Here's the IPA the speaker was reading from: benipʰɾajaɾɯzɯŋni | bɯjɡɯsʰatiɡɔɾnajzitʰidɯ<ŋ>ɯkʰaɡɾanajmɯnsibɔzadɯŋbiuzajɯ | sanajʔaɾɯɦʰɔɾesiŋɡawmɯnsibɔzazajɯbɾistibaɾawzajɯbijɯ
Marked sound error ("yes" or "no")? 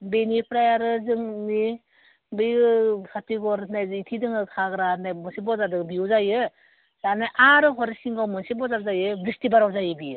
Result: no